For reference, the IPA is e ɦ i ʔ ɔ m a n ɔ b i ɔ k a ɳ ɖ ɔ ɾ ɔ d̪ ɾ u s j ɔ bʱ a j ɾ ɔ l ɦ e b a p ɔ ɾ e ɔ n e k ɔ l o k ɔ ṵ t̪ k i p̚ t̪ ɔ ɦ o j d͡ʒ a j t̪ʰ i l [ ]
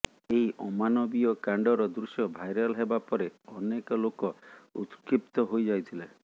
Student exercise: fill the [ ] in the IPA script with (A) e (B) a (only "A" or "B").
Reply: A